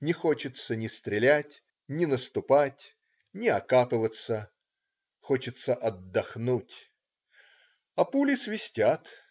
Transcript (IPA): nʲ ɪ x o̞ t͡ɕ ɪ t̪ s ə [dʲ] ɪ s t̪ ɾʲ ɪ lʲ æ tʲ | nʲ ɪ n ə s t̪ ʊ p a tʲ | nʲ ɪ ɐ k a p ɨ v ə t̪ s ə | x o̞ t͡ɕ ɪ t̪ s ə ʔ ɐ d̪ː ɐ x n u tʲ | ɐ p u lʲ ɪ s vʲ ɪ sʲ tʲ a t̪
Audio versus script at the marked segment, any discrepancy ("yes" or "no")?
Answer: yes